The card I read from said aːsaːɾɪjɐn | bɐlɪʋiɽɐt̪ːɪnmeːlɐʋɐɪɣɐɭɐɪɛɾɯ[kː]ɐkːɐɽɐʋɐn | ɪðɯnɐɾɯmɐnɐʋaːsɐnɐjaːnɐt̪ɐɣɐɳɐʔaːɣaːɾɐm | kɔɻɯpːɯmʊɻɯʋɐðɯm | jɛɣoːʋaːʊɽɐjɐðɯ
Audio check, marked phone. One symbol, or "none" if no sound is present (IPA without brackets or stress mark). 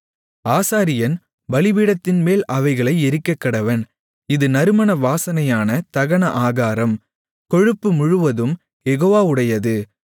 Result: kː